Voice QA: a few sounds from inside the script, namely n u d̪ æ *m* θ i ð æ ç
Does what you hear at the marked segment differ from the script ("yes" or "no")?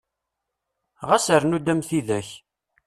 no